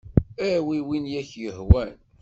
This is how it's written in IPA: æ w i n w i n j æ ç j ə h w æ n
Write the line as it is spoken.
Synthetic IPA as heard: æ w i w i n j æ ç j ə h w æ n